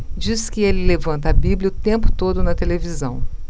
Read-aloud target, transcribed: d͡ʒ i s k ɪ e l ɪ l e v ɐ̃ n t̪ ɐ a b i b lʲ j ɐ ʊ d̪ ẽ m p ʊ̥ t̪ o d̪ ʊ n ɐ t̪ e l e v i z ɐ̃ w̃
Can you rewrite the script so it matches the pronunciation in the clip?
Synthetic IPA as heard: d͡ʒ i s k ɪ e l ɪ l e v ɐ̃ n t̪ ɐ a b i b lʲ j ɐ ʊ t̪ ẽ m p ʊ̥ t̪ o d̪ ʊ n ɐ t̪ e l e v i z ɐ̃ w̃